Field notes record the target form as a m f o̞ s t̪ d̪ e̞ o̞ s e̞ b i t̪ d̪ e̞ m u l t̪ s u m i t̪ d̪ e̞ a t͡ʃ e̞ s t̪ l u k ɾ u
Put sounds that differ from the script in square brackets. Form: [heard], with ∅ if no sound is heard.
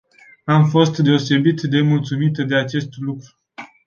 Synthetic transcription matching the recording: a m f o̞ s t̪ d̪ e̞ o̞ s e̞ b i t̪ d̪ e̞ m u l t̪ s u m i t̪ d̪ e̞ a t͡ʃ e̞ s t̪ l u k ɾ u